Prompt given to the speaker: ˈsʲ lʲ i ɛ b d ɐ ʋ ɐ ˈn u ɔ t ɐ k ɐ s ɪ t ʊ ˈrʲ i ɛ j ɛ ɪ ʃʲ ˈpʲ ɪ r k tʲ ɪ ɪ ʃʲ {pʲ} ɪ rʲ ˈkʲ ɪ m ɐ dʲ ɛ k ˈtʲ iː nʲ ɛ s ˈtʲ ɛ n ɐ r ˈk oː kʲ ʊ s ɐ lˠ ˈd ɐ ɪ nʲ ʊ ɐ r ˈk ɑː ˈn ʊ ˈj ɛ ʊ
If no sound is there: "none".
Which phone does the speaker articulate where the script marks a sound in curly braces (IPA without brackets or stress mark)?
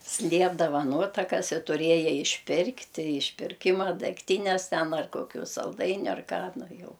pʲ